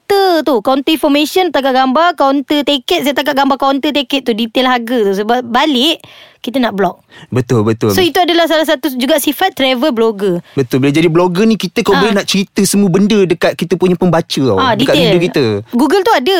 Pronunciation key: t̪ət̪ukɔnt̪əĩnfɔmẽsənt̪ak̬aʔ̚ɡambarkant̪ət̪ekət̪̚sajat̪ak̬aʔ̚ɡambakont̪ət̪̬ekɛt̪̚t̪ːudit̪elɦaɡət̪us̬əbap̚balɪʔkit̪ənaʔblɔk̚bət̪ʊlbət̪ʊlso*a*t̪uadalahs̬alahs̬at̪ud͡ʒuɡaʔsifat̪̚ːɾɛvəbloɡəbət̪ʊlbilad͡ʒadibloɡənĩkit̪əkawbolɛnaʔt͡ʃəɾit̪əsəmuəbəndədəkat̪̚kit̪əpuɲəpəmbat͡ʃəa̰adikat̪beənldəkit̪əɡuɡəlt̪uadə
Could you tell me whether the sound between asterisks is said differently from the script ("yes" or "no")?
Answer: yes